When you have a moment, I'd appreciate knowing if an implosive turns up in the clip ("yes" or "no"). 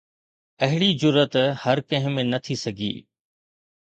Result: no